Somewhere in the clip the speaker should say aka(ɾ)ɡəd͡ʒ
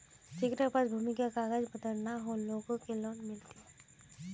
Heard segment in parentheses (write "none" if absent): none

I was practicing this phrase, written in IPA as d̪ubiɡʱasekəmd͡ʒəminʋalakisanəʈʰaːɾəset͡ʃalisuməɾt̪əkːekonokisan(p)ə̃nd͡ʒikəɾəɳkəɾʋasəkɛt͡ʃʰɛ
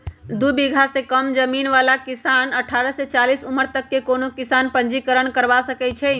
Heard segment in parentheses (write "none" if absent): p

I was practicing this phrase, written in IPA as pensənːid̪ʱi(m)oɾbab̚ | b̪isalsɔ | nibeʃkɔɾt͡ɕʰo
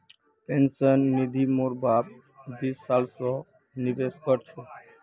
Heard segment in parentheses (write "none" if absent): m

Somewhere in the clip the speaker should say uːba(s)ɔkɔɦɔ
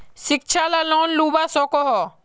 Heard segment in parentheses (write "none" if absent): s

